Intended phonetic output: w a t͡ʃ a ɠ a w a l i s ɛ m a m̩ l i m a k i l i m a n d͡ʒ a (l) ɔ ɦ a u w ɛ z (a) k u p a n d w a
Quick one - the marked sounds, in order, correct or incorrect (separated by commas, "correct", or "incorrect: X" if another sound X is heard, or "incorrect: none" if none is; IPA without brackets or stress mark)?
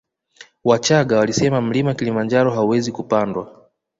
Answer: incorrect: ɾ, incorrect: i